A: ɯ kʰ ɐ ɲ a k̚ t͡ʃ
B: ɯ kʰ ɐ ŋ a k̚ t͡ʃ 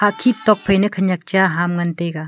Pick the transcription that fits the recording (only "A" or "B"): A